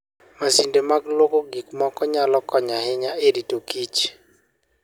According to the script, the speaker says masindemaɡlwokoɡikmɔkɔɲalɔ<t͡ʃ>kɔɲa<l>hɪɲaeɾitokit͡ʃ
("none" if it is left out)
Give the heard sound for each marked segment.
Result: none, none

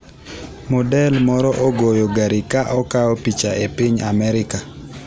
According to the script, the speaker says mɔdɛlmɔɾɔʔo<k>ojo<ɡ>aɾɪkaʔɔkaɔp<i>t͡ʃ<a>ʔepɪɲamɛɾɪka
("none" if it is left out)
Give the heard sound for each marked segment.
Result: ɡ, ɡ, i, a

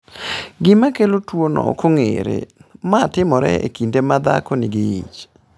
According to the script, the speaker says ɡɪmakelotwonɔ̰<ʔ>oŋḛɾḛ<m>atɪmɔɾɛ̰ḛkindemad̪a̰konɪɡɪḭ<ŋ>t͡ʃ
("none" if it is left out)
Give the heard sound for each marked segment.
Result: k, m, none

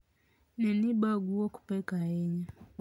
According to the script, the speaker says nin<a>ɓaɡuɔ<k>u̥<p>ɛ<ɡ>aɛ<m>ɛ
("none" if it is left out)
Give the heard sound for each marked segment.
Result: i, k, p, k, ɲ

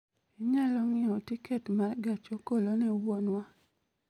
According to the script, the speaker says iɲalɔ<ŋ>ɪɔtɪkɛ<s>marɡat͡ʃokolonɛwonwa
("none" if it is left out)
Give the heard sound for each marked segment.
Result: ŋ, t

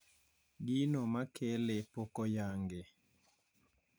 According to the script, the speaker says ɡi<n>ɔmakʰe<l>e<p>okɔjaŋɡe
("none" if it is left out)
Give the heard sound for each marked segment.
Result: n, l, p

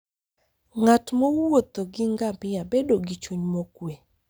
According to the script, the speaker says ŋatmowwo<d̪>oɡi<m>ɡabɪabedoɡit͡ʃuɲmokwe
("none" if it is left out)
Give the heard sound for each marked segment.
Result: t̪, ŋ

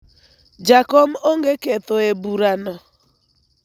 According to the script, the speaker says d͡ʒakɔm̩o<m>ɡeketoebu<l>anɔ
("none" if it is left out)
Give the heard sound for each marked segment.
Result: ŋ, ɾ

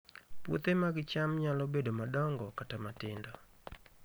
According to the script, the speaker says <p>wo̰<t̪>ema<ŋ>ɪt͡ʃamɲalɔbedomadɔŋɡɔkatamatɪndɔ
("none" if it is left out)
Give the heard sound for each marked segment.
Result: p, t̪, ɡ

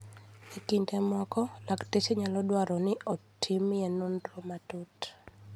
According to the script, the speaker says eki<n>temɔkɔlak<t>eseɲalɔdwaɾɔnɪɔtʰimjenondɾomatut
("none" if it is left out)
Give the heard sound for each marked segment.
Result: n, t

